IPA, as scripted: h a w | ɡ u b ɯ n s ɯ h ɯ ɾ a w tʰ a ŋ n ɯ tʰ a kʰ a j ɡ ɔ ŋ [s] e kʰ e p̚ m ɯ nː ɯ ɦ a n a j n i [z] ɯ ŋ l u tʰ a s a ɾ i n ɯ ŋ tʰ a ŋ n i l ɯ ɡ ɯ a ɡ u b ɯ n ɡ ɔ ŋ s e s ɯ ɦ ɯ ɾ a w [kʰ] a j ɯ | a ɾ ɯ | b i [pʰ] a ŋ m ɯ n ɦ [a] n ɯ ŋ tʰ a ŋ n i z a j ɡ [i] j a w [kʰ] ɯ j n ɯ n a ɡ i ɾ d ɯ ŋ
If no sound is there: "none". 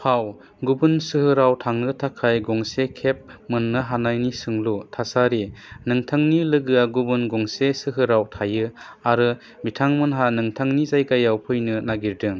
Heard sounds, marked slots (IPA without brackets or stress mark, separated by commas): s, s, tʰ, tʰ, a, a, pʰ